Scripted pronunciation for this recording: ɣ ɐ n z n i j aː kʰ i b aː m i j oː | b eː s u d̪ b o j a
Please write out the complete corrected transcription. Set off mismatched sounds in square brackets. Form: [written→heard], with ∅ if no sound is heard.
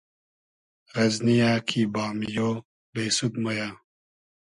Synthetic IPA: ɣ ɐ [n→∅] z n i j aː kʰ i b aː m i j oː | b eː s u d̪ [b→m] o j a